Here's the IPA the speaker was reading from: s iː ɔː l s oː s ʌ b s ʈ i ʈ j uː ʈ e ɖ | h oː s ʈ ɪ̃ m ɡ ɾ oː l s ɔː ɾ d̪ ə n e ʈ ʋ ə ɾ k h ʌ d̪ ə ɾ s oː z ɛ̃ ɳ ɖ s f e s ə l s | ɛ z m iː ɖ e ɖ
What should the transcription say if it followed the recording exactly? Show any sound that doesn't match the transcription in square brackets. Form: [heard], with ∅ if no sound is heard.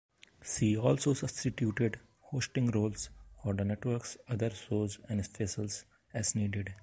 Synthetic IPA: s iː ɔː l s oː s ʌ b s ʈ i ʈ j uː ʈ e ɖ | h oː s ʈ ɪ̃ [ŋ] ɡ ɾ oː l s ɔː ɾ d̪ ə n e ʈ ʋ ə ɾ k [s] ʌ d̪ ə ɾ s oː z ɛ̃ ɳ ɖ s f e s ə l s | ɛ z [n] iː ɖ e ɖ